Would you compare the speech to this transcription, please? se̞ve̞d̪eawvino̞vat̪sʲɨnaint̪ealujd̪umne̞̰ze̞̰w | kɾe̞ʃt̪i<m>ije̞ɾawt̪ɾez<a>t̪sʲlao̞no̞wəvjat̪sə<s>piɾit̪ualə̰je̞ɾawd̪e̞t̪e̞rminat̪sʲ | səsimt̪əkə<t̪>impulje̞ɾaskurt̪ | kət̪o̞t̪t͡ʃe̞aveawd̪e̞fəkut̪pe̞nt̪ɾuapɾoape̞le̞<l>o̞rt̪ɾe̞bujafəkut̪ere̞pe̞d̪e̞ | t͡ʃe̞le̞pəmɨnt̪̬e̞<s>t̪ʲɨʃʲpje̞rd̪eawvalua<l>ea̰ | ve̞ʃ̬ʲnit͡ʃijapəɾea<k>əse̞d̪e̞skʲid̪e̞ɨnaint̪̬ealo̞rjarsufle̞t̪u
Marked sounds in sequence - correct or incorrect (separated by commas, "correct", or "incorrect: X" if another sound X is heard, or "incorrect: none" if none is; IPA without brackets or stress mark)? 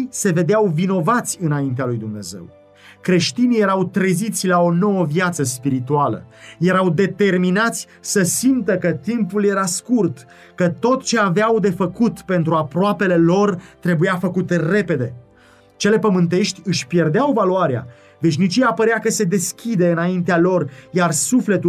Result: incorrect: n, incorrect: i, correct, correct, correct, incorrect: ʃ, incorrect: ɾ, correct